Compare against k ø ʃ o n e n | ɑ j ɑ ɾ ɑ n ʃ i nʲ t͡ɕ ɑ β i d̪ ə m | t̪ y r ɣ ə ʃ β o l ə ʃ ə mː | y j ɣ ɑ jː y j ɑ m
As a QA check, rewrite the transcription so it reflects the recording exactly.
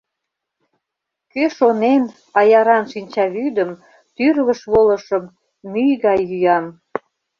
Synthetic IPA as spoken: k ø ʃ o n e n | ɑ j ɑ ɾ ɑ n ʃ i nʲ t͡ɕ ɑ β y d̪ ə m | t̪ y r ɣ ə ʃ β o l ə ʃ ə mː | y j ɣ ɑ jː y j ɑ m